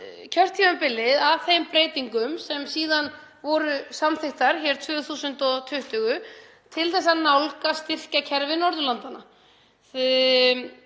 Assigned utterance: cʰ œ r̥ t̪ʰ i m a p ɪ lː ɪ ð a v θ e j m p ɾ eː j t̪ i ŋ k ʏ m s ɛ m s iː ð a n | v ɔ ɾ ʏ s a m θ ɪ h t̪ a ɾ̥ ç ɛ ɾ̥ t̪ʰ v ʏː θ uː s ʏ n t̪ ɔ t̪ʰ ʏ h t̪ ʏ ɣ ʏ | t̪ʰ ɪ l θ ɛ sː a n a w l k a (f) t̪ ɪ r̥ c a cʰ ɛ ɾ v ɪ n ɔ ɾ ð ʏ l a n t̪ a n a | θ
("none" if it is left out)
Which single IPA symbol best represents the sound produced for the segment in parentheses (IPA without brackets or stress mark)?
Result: s